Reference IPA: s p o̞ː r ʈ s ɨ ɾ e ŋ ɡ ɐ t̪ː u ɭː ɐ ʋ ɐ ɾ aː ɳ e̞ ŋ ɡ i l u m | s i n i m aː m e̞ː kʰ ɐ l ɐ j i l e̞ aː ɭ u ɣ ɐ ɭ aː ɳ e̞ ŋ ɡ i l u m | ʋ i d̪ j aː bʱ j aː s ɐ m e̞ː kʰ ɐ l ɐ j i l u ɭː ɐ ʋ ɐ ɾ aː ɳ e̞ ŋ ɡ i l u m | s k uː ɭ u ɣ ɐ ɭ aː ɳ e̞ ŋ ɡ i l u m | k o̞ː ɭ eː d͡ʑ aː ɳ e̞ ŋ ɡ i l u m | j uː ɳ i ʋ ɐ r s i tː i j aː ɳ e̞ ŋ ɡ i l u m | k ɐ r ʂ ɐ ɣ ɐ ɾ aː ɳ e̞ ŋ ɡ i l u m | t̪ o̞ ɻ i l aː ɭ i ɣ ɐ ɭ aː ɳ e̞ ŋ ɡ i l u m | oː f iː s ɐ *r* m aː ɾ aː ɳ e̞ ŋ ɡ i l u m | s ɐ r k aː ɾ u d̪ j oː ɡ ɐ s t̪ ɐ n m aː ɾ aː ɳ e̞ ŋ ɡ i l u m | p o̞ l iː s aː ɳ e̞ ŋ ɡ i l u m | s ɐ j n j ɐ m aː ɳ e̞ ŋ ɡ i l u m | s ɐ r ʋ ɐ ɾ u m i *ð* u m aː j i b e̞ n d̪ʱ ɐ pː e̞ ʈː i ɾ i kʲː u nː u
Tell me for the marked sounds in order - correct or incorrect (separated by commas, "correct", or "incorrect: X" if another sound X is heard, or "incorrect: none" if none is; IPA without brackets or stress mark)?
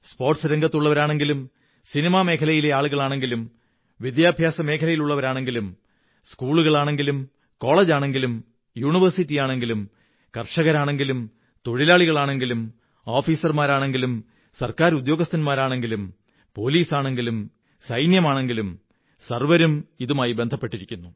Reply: correct, correct